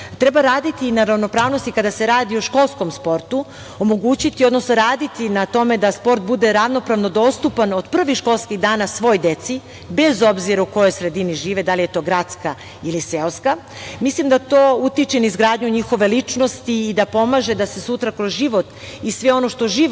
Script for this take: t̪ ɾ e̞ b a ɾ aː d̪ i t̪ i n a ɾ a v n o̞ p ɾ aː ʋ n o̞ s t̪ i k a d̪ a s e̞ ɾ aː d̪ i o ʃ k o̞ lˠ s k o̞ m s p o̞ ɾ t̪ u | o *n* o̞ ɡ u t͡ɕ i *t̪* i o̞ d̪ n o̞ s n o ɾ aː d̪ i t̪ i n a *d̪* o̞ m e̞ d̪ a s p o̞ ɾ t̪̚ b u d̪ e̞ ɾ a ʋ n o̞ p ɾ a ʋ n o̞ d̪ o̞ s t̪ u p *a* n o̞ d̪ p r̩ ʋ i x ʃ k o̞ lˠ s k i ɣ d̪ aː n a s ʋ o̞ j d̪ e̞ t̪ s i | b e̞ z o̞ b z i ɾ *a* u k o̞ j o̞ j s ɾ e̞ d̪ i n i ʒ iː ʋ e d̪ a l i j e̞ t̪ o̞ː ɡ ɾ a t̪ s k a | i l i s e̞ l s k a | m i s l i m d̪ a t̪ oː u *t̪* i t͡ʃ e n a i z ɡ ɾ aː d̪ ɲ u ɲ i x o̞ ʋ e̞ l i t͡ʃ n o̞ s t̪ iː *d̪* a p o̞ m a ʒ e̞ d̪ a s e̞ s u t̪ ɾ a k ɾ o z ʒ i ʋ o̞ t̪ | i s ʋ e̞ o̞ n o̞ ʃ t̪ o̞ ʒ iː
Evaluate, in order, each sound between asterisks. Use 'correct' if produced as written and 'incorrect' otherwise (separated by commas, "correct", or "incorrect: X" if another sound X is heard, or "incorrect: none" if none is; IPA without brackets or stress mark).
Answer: incorrect: m, correct, incorrect: t̪, correct, correct, correct, correct